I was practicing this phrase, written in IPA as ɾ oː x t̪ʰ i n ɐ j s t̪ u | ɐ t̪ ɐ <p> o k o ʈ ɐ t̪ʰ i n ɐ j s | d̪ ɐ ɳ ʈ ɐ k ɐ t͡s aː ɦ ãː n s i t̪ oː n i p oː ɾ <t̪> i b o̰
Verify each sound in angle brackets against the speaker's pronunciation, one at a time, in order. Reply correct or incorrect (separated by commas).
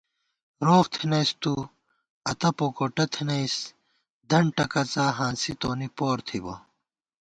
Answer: correct, incorrect